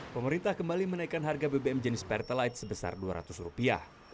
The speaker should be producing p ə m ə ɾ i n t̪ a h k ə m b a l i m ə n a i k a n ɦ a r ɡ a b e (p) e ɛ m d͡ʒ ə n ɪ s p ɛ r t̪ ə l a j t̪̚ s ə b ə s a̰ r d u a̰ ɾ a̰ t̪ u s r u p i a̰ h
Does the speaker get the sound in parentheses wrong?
yes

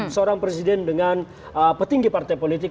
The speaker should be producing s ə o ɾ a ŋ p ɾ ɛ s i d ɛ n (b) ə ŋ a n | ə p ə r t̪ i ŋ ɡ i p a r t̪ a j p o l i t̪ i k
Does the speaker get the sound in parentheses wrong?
yes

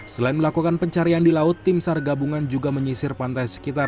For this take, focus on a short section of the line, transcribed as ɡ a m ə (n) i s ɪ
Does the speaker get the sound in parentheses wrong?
yes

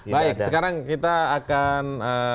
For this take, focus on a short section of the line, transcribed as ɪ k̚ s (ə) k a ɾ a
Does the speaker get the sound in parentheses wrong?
no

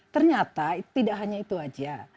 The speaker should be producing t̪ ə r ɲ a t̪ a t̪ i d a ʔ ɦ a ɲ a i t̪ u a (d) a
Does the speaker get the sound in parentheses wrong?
yes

